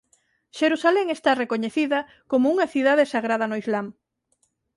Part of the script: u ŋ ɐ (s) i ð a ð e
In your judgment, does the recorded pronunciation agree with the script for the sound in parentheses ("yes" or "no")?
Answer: no